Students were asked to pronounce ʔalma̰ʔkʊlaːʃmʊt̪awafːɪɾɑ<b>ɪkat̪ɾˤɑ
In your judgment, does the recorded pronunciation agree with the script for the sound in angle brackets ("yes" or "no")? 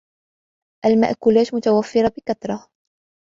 yes